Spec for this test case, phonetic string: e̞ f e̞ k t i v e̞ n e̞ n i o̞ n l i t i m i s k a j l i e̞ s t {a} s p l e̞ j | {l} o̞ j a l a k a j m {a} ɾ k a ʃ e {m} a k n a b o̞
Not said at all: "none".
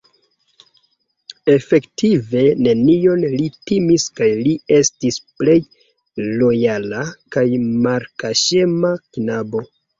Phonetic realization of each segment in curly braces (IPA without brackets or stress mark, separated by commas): i, l, a, m